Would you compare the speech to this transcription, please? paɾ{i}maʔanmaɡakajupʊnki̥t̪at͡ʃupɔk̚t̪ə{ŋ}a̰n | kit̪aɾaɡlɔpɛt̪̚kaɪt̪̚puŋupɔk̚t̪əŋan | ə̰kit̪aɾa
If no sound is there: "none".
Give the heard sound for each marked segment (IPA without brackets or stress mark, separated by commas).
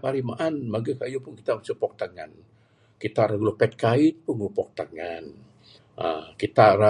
i, ŋ